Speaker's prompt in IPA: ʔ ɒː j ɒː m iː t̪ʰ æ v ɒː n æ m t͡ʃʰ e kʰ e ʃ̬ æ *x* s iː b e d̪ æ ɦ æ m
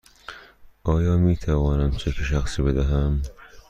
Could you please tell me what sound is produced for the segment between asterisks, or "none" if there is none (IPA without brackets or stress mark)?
x